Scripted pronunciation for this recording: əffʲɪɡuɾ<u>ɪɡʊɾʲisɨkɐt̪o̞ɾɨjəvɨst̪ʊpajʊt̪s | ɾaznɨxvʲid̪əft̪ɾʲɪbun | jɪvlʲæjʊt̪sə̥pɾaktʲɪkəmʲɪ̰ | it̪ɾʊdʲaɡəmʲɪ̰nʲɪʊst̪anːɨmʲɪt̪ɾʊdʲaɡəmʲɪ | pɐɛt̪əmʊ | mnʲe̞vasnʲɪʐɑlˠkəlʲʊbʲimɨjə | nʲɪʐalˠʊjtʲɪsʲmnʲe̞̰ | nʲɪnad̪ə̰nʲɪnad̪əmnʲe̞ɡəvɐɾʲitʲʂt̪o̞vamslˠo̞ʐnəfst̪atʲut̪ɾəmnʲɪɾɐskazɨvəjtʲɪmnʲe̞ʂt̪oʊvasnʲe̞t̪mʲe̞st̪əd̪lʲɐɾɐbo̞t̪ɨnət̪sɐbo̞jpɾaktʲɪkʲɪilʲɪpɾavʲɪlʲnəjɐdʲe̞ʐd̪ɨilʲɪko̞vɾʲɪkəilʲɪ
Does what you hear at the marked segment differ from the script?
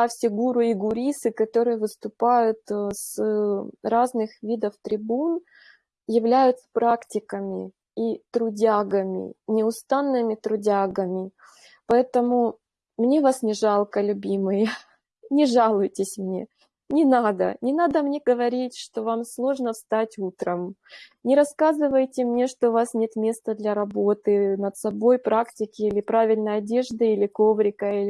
yes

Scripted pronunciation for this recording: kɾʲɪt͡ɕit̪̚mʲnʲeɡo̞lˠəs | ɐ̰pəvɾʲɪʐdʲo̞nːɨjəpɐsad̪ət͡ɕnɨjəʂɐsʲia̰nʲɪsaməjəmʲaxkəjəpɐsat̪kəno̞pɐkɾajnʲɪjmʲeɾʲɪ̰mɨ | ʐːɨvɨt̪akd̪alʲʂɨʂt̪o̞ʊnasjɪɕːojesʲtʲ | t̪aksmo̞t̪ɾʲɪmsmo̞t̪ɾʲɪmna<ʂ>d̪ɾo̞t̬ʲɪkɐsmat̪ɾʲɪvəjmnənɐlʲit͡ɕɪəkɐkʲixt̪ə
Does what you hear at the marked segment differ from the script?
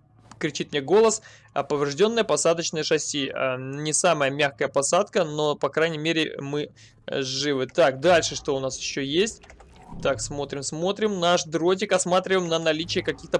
no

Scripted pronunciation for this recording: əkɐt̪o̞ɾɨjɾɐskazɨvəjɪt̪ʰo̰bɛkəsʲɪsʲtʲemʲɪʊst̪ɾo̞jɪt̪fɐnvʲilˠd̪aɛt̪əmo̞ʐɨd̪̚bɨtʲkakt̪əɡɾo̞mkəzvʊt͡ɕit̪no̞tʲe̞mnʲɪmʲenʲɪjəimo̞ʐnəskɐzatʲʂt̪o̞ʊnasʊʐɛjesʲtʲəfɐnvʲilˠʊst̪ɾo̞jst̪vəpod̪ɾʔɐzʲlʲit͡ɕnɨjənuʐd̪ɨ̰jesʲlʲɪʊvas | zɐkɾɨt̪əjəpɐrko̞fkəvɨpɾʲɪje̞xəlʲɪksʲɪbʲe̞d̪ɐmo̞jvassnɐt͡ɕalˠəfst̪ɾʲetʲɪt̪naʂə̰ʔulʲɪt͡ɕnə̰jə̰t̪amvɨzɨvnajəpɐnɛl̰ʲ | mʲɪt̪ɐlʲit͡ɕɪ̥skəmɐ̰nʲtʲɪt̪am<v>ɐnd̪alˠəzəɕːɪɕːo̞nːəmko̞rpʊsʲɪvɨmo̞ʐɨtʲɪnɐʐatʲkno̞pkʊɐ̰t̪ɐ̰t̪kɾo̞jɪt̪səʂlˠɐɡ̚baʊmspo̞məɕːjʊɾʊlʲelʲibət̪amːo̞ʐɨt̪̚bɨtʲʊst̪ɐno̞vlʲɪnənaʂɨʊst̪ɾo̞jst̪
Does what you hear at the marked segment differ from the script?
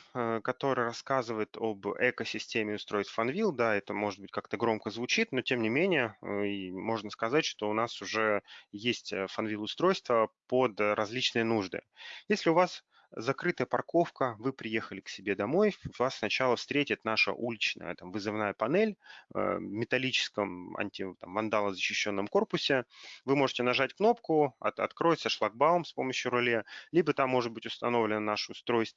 no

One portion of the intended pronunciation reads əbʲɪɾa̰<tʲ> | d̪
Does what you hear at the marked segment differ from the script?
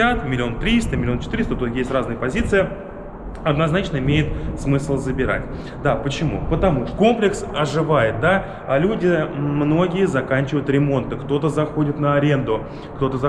no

